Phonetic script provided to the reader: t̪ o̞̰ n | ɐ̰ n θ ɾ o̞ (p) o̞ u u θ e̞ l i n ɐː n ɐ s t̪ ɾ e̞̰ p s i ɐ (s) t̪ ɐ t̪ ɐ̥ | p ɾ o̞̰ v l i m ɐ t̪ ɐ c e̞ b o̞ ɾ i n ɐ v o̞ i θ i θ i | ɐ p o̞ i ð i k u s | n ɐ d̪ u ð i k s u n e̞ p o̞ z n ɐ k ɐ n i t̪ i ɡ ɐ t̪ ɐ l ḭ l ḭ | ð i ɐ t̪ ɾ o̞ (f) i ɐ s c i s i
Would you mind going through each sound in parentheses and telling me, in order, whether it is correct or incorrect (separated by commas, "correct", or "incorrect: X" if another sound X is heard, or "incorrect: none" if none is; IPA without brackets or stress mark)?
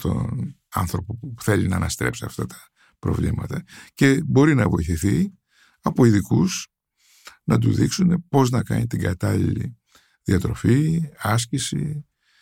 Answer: correct, incorrect: f, correct